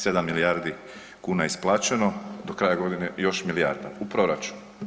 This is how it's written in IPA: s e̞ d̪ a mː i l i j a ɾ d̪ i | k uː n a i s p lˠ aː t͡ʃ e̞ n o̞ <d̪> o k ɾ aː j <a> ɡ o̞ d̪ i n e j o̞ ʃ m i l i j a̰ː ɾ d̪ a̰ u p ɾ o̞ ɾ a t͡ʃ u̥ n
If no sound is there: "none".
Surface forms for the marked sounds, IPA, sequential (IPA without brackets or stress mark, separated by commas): d̪, a